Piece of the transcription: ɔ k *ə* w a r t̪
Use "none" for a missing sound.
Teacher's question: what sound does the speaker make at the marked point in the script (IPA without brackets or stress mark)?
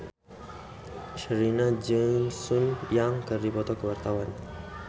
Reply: ə